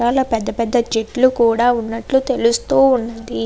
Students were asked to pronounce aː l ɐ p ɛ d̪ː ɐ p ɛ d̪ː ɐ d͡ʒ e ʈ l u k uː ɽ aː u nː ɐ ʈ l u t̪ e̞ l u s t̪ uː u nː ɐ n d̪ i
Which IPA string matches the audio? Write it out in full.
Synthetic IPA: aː l ɐ p ɛ d̪ː ɐ p ɛ d̪ː ɐ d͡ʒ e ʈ l u k uː ɽ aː u nː ɐ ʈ l u t̪ e̞ l u s t̪ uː u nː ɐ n d̪ i